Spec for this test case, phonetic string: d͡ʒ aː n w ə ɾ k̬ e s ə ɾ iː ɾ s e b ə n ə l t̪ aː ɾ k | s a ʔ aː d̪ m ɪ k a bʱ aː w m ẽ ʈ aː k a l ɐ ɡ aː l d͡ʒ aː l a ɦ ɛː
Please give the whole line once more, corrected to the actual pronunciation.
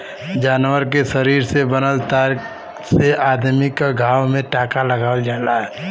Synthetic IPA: d͡ʒ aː n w ə ɾ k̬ e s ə ɾ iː ɾ s e b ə n ə l t̪ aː ɾ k | s e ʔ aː d̪ m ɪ k a ɡʱ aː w m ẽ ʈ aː k a l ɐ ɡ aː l d͡ʒ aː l a ɦ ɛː

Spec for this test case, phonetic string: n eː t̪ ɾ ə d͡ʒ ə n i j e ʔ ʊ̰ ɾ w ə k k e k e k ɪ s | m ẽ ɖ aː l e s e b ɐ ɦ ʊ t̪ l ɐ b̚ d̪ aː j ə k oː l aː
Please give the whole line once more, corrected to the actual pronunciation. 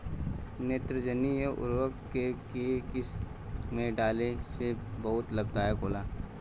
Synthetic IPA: n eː t̪ ɾ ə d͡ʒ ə n i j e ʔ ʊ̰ ɾ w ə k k e k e k ɪ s | m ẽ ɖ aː l e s e b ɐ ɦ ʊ t̪ l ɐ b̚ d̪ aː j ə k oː l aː

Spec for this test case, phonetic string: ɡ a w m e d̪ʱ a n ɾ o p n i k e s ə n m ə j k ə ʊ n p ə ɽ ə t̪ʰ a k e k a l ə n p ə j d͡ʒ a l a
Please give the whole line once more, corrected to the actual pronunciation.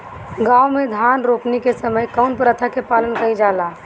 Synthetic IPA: ɡ a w m e d̪ʱ a n ɾ o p n i k e s ə m ə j k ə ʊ n p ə ɾ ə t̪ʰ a k e p a l ə n k ə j d͡ʒ a l a

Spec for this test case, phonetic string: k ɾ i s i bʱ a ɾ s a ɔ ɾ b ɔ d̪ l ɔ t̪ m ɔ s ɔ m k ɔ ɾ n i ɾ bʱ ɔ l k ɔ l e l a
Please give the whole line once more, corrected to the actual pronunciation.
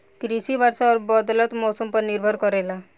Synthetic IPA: k ɾ i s i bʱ a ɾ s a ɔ ɾ b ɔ d̪ l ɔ t̪ m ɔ s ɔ m p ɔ ɾ n i ɾ bʱ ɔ ɾ k ɔ ɾ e l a

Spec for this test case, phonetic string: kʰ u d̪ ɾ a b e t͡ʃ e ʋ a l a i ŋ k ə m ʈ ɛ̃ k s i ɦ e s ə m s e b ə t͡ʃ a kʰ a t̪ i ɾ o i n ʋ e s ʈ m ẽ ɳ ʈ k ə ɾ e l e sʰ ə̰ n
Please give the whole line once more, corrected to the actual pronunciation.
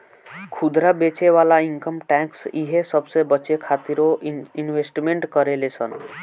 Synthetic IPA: kʰ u d̪ ɾ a b e t͡ʃ e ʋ a l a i ŋ k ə m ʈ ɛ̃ k s i ɦ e s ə b s e b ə t͡ʃ e kʰ a t̪ i ɾ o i n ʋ e s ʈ m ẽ ɳ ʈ k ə ɾ e l e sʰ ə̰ n

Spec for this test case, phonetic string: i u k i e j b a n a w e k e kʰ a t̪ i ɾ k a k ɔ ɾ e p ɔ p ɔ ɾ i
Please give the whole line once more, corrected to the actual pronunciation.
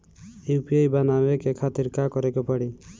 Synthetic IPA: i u p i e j b a n a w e k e kʰ a t̪ i ɾ k a k ɔ ɾ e k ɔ p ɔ ɽ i

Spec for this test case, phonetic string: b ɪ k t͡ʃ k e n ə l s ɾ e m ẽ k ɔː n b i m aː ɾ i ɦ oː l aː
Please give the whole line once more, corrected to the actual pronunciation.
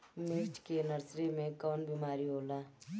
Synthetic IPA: m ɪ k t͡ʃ k e n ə ɾ s ɾ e m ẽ k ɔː n b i m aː ɾ i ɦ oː l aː

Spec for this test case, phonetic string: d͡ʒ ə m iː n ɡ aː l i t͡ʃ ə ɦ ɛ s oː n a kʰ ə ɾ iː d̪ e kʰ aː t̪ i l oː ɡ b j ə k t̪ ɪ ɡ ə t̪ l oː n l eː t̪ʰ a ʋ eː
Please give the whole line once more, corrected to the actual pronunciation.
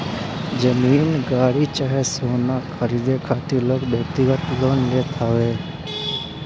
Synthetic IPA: d͡ʒ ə m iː n ɡ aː ɽ i t͡ʃ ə ɦ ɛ s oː n a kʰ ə ɾ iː d̪ e kʰ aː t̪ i l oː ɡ b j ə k t̪ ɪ ɡ ə t̪ l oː n l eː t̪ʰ a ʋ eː

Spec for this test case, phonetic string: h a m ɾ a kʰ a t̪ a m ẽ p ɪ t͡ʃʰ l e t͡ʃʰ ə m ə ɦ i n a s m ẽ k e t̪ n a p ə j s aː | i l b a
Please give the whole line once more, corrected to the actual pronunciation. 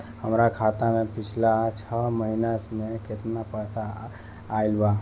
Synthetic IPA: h ə m ɾ a kʰ a t̪ a m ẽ p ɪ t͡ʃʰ l a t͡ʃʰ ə m ə ɦ i n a s m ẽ k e t̪ n a p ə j s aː | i l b a

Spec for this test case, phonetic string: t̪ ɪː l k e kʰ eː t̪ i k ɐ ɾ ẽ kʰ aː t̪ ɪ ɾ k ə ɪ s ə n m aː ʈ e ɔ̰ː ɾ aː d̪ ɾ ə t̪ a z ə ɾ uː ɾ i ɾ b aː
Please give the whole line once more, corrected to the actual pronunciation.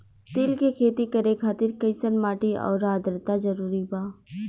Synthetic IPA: t̪ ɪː l k e kʰ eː t̪ i k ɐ ɾ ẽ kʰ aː t̪ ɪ ɾ k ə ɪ s ə n m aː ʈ i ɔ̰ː ɾ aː d̪ ɾ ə t̪ a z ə ɾ uː ɾ i b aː

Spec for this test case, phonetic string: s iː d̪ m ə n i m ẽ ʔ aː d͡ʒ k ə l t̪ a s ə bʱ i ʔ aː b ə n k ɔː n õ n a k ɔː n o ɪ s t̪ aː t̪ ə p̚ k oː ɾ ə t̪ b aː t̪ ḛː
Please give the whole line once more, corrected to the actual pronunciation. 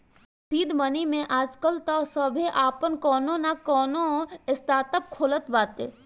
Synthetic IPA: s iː d̪ m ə n i m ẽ ʔ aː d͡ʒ k ə l t̪ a s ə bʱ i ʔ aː p ə n k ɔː n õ n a k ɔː n o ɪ s t̪ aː t̪ ə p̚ kʰ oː l ə t̪ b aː t̪ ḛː

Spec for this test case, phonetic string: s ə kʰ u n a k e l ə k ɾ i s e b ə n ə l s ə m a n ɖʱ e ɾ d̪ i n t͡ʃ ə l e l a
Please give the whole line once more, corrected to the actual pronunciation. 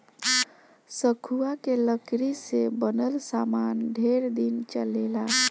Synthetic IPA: s ə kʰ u a k e l ə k ɾ i s e b ə n ə l s a m a n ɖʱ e ɾ d̪ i n t͡ʃ ə l e l a

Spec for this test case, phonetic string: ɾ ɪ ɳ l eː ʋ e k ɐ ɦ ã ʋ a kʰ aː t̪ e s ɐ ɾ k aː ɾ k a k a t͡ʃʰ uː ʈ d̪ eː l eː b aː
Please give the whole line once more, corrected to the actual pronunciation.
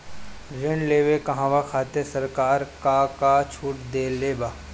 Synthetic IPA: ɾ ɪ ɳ l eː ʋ e k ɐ ɦ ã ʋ a kʰ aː t̪ e s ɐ ɾ k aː ɾ k a k a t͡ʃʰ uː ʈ d̪ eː l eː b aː

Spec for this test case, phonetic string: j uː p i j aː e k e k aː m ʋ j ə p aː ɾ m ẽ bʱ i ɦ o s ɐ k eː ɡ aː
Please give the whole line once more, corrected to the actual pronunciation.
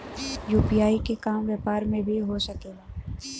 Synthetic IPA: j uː p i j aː i k e k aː m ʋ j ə p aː ɾ m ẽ bʱ i ɦ o s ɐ k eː ɡ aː

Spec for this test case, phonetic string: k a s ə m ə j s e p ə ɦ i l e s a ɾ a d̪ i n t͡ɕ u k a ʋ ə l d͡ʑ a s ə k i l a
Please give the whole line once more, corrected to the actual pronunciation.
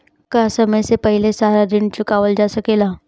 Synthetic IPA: k a s ə m ə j s e p ə ɦ i l e s a ɾ a d̪ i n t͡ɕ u k a ʋ ə l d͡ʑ a s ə k e l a

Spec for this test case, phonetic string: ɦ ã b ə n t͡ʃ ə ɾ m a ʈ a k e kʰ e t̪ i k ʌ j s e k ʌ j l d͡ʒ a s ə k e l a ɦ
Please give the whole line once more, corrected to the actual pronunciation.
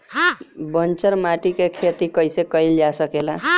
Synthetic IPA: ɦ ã b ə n t͡ʃ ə ɾ m a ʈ i k e kʰ e t̪ i k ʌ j s e k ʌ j l d͡ʒ a s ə k e l a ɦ

